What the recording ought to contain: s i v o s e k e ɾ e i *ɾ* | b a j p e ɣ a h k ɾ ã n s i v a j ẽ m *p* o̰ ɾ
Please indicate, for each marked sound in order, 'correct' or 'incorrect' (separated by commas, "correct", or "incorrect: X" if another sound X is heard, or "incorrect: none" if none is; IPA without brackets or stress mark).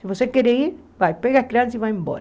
correct, incorrect: b